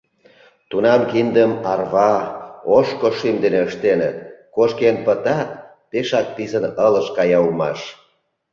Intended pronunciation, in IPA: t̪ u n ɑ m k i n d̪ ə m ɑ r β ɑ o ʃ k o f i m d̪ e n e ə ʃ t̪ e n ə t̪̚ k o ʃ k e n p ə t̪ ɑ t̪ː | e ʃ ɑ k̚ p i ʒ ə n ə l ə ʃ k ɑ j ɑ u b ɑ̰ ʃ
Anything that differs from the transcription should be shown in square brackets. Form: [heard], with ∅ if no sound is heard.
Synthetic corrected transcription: t̪ u n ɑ m k i n d̪ ə m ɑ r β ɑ o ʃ k o [ʃ] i m d̪ e n e ə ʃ t̪ e n ə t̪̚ k o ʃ k e n p ə t̪ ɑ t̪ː | e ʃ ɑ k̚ p i [z] ə n ə l ə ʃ k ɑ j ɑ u [m] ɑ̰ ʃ